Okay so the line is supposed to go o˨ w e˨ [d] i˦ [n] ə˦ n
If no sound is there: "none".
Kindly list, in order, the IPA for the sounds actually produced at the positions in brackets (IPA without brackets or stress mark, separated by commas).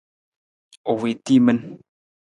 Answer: t, m